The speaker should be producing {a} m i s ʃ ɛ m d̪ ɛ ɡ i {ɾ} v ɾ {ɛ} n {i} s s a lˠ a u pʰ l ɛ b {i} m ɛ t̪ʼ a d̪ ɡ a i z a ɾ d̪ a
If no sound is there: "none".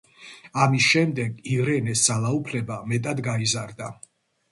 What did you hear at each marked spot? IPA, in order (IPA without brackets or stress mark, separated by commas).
a, none, ɛ, ɛ, a